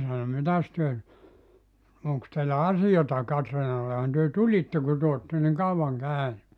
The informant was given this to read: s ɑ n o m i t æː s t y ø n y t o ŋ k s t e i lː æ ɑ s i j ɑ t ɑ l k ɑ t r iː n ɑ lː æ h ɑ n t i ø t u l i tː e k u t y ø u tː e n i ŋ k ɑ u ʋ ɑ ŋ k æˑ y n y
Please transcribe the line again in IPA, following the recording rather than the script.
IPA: s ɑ n o m i t æ s t y ø n y t o ŋ k s t e i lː æ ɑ s i j ɑ t ɑ k ɑ t r iː n ɑ lː e h ɑ n t y ø t u l i tː e k u t y ø o tː e n i ŋ k ɑ u ʋ ɑ ŋ k æˑ y n y